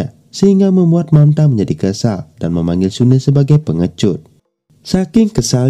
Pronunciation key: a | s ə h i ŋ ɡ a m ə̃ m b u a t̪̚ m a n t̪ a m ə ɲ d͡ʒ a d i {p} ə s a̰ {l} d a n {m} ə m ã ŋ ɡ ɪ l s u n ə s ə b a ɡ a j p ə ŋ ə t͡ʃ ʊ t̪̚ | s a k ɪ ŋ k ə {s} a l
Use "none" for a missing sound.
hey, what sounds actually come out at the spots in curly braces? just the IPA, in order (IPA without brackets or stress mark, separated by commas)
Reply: k, l, m, s